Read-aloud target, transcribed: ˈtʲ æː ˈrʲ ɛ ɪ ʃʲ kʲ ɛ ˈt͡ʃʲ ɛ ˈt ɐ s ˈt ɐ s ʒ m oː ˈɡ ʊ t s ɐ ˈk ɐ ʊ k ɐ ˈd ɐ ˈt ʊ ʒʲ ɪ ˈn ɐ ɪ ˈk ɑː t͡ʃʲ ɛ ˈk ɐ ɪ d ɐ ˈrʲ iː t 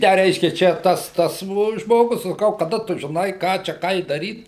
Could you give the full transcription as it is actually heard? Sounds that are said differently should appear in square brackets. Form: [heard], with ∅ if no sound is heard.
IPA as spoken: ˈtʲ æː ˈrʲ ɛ ɪ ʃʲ kʲ ɛ ˈt͡ʃʲ ɛ ˈt ɐ s ˈt ɐ s ʒ m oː ˈɡ ʊ [s] s ɐ ˈk ɐ ʊ k ɐ ˈd ɐ ˈt ʊ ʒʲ ɪ ˈn ɐ ɪ ˈk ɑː t͡ʃʲ ɛ ˈk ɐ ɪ d ɐ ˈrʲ iː t